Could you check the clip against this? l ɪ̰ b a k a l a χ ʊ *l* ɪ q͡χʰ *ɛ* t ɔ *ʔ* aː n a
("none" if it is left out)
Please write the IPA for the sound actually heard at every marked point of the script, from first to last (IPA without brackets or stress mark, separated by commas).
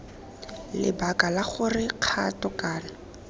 r, a, k